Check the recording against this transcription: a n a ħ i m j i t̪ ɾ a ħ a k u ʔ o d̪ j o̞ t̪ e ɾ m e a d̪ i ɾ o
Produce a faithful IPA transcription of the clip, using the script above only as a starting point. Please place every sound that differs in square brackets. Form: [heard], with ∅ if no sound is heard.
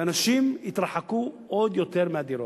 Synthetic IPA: a n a [ʃ] i m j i t̪ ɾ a ħ a k u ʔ o d̪ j o̞ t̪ e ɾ m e a d̪ i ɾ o